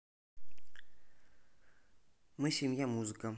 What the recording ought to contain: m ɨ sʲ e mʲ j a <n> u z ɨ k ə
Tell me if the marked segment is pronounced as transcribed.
no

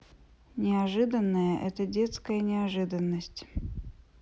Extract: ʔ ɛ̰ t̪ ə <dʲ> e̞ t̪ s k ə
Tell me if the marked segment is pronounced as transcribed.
yes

